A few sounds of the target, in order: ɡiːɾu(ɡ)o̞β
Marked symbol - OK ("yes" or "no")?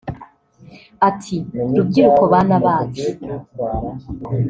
no